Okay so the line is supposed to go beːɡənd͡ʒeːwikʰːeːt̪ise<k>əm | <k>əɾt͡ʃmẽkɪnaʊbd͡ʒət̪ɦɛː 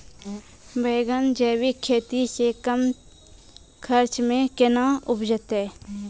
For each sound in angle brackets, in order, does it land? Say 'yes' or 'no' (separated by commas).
yes, no